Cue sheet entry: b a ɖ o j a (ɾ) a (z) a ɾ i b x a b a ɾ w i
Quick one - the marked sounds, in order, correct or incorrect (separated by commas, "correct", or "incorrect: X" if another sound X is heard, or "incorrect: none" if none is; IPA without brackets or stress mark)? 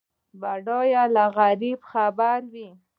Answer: incorrect: l, incorrect: ɣ